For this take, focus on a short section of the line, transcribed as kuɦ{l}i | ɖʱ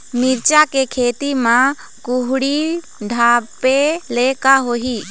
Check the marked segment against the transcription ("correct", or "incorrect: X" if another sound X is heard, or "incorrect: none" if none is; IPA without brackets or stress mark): incorrect: ɽ